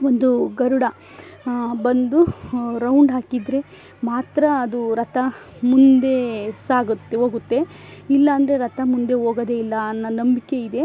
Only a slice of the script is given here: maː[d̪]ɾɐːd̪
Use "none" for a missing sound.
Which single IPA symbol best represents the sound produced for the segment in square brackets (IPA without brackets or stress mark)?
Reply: t̪